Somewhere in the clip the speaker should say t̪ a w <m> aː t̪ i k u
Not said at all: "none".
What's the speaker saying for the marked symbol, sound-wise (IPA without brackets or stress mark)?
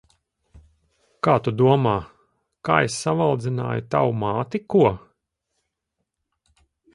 m